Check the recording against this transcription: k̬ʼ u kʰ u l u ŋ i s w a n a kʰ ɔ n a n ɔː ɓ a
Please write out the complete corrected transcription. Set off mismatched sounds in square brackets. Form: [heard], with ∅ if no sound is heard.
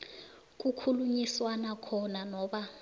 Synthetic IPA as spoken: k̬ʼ u kʰ u l u [ɲ] i s w a n a kʰ ɔ n a n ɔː ɓ a